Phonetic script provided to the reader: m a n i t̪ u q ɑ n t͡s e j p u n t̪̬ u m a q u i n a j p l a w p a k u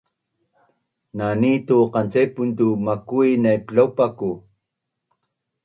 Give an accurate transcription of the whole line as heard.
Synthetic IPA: n a n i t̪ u q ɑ n t͡s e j p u n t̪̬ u m a k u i n a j p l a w p a k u